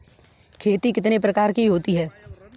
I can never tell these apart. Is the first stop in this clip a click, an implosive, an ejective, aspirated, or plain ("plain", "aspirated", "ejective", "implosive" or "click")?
aspirated